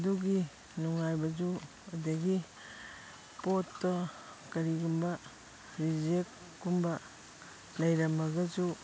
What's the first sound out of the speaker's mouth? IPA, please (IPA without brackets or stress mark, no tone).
d